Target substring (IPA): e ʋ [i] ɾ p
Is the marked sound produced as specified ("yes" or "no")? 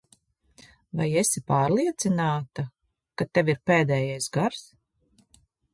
yes